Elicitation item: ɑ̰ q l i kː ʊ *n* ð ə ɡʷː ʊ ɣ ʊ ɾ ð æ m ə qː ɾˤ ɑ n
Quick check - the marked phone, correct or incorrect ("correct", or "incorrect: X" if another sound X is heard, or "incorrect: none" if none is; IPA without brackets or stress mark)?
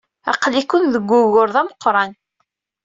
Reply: correct